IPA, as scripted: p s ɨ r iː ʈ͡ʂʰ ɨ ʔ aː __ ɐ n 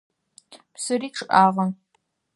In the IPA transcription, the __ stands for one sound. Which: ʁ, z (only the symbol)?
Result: ʁ